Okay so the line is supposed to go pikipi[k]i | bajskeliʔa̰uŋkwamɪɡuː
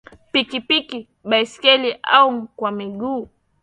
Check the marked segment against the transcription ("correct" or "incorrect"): correct